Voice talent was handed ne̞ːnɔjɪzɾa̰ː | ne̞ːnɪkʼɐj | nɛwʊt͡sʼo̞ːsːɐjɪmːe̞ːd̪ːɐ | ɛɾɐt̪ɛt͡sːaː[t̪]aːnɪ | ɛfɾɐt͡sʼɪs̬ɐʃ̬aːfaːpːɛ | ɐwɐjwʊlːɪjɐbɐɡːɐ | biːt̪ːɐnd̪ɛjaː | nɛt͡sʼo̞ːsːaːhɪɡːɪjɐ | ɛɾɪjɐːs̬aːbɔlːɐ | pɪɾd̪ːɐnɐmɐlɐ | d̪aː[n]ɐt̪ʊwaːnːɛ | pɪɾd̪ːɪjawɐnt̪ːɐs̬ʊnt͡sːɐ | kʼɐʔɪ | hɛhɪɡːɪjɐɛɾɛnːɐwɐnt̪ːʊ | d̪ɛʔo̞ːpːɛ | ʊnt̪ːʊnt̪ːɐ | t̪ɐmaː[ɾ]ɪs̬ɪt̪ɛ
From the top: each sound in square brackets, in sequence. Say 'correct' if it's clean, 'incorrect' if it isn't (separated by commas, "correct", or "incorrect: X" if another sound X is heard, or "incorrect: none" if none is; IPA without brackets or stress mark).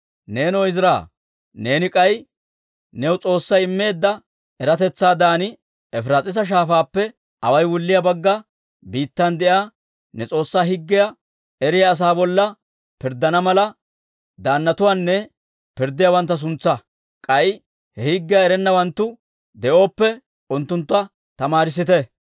incorrect: d̪, incorrect: nː, correct